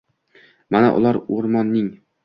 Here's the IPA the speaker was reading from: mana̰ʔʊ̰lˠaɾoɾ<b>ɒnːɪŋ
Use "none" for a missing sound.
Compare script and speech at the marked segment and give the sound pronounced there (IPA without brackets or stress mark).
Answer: m